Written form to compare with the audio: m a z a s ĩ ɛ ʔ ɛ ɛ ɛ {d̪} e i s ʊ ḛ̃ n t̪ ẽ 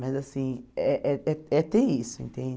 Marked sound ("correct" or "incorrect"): incorrect